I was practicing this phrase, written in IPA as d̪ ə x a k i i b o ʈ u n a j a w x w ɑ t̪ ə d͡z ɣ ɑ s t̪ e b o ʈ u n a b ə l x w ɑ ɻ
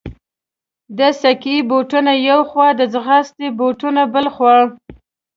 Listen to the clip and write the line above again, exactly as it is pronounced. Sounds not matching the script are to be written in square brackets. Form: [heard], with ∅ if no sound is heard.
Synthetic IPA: d̪ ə [s] a k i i b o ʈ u n a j a w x w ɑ [d̪] ə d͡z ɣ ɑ s t̪ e b o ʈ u n a b ə l x w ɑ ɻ